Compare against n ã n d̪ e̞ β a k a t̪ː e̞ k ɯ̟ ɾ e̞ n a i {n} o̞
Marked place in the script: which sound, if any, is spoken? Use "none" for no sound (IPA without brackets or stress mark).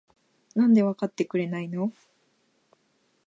n